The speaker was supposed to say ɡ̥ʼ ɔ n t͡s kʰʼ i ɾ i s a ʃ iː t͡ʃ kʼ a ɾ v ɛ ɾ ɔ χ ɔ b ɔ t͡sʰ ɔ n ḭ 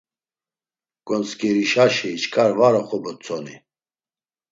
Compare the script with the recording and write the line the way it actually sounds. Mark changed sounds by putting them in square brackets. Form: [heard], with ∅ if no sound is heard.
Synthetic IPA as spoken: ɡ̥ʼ ɔ n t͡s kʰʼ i ɾ i [ʃ] a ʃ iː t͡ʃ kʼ a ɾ v [a] ɾ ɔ χ ɔ b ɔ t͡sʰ ɔ n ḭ